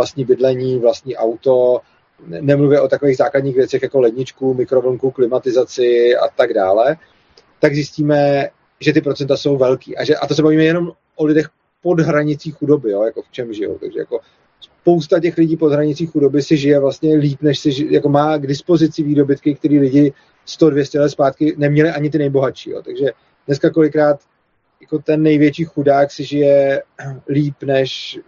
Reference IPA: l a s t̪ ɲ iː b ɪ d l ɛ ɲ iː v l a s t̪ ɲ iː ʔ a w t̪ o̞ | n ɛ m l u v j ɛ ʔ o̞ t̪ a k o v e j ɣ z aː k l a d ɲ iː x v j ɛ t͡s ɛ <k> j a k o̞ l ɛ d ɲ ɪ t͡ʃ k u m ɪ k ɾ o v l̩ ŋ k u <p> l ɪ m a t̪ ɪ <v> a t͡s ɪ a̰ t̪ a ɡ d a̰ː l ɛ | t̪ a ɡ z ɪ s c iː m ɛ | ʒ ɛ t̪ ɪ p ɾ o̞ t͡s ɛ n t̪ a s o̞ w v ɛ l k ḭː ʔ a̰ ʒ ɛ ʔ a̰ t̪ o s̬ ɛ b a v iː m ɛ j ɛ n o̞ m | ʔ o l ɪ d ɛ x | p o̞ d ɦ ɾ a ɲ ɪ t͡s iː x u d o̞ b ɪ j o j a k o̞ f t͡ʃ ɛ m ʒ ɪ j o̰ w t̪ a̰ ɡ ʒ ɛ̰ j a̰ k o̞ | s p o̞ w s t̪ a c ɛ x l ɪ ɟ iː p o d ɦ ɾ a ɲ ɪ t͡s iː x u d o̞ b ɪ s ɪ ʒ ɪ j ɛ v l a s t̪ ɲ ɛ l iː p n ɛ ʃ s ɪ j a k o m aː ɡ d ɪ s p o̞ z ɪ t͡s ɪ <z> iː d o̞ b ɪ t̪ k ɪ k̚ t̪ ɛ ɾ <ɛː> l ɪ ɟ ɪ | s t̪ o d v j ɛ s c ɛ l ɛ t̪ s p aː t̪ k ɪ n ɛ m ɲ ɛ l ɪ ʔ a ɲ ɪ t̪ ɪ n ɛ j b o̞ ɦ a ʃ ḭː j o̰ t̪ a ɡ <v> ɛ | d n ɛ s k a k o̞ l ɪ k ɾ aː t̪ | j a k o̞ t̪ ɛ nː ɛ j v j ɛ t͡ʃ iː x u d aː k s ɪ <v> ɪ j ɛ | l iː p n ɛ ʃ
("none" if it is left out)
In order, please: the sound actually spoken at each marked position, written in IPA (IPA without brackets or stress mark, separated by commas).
x, k, z, v, iː, ʒ, ʒ